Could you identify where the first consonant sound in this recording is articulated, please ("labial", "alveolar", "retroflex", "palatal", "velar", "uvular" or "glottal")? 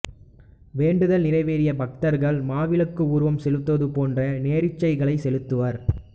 labial